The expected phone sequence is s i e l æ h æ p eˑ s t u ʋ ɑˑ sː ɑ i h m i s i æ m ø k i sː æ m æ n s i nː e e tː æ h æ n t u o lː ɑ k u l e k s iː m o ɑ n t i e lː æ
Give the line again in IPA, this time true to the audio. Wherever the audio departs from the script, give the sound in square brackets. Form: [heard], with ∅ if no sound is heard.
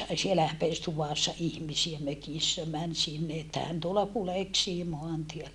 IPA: s i e l æ h æ p eˑ s t u ʋ ɑˑ sː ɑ i h m i s i æ m ø k i sː æ m æ n s i nː e e tː æ h æ n t u o [l] ɑ k u l e k s iː m o ɑ n t i e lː æ

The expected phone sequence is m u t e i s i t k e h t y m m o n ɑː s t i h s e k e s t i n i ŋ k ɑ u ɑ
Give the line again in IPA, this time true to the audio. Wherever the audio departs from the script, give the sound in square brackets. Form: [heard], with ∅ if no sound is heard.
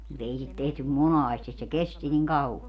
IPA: m u t e i s i t [t] e h t y m m o n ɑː s t i [s] s e k e s t i n i ŋ k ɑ u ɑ

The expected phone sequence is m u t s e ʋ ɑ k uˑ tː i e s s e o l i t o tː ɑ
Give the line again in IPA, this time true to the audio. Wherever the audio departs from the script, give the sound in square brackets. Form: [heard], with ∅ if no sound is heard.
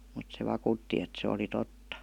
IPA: m u t s e ʋ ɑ k uˑ tː i e [t] s e o l i t o tː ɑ

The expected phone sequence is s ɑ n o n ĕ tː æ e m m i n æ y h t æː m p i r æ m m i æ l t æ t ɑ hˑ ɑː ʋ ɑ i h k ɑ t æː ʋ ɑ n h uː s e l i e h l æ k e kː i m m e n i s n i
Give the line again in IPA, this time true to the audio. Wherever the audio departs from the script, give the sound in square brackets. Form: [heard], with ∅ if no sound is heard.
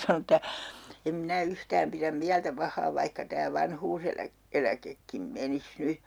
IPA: s ɑ n o n ĕ tː æ e m m i n æ y h t æː m p i r æ m m i æ l t æ [p] ɑ hˑ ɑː ʋ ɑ i h k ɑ t æː ʋ ɑ n h uː s e l [æ] e [∅] l æ k e kː i m m e n i s n [y]

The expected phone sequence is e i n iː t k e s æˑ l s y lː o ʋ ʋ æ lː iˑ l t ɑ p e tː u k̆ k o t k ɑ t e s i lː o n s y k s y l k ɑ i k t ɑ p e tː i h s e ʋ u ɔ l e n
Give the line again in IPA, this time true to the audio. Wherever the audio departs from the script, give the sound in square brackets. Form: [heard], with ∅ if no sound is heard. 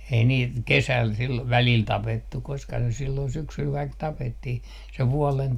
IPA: e i n iː t k e s æˑ l s [i] lː o ʋ ʋ æ [l] iˑ l t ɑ p e tː u k̆ k o [s] k ɑ [s] e s i lː o n s y k s y l k ɑ i k t ɑ p e tː i h s e ʋ u ɔ l e n

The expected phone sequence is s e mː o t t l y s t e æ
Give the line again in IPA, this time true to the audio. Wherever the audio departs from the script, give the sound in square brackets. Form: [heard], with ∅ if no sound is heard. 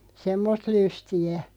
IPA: s e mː o [s] t l y s t [i] æ

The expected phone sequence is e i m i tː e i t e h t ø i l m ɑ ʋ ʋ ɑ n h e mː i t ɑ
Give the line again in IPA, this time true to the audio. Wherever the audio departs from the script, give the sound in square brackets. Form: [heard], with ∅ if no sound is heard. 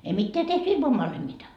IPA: e i m i tː e [æ] t e h t [y] i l m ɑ ʋ ʋ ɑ n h e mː i t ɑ

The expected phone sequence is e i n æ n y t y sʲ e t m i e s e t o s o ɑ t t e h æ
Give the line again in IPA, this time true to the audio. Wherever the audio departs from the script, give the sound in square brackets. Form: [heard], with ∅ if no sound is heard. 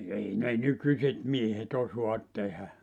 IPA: e i n [e] n y [k] y sʲ e t m i e [h] e t o s o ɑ t t e h æ

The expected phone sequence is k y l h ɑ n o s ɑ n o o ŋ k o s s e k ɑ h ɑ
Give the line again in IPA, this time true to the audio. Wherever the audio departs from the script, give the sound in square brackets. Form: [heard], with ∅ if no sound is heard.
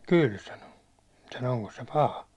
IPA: k y l [s] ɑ n o s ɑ n o o ŋ k o s s e [p] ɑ h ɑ

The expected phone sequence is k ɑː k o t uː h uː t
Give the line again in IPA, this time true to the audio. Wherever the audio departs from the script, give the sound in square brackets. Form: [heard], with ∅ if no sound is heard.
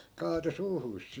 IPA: k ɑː [t] o [s] uː h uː [s]

